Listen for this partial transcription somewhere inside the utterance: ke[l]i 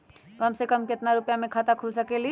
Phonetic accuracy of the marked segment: correct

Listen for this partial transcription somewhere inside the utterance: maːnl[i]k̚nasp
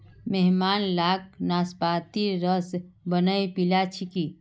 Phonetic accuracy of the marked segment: incorrect: a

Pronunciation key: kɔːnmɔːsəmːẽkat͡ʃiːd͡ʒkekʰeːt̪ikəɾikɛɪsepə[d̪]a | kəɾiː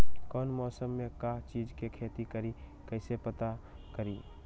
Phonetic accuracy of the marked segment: incorrect: t̪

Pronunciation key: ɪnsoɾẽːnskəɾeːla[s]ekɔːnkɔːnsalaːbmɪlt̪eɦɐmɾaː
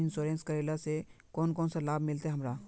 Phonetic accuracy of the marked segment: correct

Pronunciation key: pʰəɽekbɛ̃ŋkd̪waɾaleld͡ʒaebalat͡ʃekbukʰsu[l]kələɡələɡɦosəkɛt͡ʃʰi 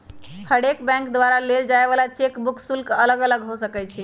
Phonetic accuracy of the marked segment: correct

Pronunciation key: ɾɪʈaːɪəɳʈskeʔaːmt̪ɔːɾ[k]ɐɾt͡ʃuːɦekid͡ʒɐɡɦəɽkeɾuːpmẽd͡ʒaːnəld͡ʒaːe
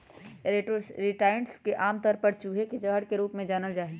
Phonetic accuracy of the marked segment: incorrect: p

